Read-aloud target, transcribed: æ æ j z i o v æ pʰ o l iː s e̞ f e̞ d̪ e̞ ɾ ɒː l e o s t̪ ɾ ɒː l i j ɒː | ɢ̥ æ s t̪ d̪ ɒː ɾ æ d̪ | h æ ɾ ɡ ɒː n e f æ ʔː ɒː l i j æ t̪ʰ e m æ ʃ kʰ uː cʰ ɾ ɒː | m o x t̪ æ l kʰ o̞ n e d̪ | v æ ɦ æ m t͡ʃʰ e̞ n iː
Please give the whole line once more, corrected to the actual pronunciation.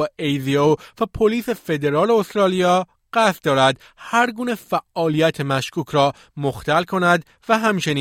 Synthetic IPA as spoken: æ e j z i o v æ pʰ o l iː s e̞ f e̞ d̪ e̞ ɾ ɒː l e o s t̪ ɾ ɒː l i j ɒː | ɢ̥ æ s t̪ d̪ ɒː ɾ æ d̪ | h æ ɾ ɡ uː n e f æ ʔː ɒː l i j æ t̪ʰ e m æ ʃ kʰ uː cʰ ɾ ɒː | m o x t̪ æ l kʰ o̞ n æ d̪ | v æ ɦ æ m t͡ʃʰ e̞ n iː